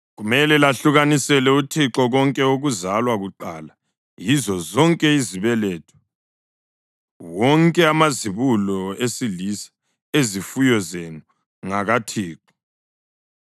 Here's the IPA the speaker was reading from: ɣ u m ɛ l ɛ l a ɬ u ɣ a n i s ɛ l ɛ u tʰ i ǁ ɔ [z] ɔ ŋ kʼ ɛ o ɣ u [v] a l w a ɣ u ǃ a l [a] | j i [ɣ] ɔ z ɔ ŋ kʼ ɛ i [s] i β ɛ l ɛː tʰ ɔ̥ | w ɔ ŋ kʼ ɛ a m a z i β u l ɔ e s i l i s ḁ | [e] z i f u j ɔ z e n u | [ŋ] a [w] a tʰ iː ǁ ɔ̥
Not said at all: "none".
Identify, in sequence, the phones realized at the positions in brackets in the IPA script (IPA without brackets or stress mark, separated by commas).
ɣ, z, a, z, z, e, ŋ, ɣ